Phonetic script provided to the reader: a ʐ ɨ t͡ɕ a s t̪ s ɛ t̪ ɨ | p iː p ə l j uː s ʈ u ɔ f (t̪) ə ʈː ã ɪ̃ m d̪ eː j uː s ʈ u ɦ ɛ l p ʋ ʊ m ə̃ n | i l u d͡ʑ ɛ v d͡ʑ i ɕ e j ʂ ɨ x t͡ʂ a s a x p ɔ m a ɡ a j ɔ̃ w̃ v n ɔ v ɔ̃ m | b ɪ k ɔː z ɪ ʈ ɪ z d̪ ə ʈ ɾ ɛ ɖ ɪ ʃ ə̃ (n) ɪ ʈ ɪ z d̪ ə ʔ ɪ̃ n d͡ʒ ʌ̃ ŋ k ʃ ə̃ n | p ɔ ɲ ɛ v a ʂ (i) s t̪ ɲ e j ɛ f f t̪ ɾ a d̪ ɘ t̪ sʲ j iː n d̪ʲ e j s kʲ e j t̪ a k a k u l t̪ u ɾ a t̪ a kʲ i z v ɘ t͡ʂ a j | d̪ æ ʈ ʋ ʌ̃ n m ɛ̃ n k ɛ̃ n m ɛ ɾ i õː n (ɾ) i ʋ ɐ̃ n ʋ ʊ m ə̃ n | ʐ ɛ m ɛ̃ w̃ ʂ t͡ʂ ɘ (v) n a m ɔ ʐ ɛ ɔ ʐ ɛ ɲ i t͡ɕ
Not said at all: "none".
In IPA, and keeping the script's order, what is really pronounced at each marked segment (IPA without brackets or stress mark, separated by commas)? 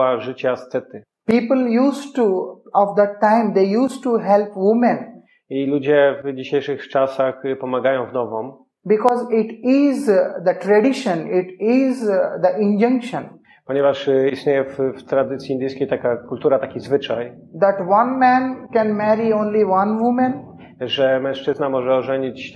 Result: d̪, n, i, l, z